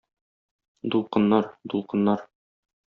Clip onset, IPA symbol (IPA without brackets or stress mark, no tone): d̪